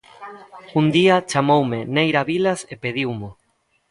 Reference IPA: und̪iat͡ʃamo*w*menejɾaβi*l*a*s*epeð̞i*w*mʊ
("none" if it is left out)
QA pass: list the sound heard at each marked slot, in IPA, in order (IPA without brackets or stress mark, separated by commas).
w, l, s, w